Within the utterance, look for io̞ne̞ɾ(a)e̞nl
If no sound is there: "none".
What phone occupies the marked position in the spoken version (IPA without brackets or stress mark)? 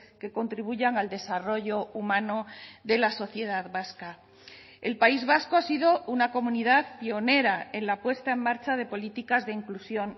a